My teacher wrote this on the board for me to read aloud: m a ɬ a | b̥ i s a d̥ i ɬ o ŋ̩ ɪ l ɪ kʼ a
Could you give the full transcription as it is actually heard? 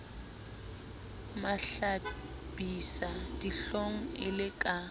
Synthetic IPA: m a ɬ a | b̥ i s a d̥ i ɬ o ŋ̩ ɪ l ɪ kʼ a